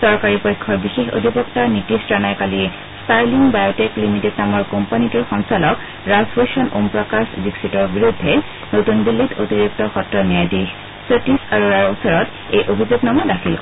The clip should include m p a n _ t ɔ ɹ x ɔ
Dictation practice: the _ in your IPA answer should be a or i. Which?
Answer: i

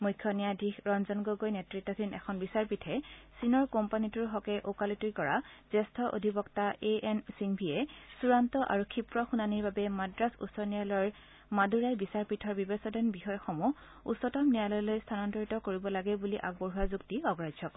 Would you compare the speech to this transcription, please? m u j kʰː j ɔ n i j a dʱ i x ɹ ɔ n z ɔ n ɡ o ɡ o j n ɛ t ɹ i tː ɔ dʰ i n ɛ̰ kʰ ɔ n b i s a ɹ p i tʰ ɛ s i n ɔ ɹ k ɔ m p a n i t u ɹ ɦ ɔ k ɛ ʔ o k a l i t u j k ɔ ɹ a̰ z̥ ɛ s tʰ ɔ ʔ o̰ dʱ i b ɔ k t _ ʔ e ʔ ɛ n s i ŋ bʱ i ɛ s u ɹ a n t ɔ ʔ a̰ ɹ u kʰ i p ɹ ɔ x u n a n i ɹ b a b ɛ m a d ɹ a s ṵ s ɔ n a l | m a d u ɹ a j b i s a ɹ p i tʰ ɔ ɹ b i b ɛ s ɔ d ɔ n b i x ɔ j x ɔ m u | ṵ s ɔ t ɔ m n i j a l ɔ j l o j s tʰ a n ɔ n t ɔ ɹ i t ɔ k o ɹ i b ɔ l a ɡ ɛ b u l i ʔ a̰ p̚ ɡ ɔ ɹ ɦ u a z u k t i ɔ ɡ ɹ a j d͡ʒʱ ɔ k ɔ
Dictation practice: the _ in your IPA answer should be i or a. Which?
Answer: a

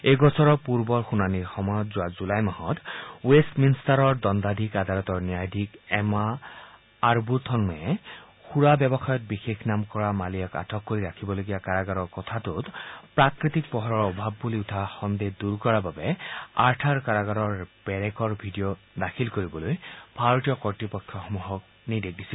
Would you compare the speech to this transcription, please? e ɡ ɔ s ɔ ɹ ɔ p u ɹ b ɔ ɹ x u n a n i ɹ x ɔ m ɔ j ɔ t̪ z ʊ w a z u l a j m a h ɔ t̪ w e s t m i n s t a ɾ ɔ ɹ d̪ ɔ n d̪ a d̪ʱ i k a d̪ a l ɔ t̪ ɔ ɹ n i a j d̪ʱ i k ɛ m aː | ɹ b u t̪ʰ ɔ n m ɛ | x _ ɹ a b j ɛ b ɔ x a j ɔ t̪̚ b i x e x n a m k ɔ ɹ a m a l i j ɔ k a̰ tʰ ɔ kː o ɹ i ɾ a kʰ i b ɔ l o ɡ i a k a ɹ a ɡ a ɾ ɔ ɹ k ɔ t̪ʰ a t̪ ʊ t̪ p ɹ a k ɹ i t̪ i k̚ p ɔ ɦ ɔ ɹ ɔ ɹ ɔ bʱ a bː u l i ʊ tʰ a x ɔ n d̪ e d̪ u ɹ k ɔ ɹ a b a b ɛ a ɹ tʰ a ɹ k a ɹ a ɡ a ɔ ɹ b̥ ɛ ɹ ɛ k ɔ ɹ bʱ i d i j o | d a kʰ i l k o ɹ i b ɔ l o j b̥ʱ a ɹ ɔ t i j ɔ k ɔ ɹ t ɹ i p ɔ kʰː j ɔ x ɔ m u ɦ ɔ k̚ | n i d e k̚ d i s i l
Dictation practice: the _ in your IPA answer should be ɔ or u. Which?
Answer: u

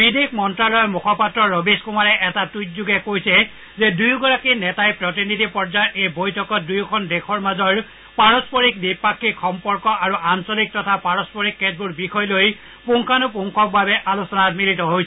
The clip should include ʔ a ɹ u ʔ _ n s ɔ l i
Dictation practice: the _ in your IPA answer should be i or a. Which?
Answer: a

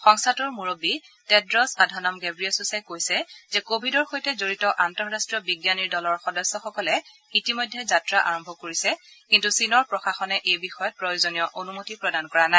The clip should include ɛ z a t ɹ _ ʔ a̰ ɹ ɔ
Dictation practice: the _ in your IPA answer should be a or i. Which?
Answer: a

